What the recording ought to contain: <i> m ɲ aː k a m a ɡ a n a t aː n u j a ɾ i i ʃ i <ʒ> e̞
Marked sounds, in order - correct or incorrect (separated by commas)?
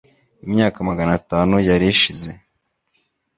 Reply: correct, incorrect